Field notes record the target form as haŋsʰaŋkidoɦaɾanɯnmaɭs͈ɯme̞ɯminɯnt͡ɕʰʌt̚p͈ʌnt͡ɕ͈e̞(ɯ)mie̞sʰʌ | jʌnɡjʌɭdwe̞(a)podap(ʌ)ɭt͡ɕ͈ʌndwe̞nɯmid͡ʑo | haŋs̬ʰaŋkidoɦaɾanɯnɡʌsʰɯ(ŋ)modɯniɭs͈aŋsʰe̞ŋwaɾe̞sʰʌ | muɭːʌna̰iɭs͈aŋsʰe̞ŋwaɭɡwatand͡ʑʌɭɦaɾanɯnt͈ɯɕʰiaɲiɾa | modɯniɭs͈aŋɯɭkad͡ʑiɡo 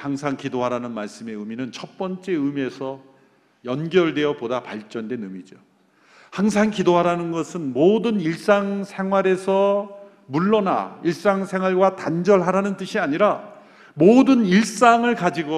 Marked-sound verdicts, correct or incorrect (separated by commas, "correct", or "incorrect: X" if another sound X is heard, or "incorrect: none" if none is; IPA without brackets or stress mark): correct, incorrect: ʌ, incorrect: a, incorrect: n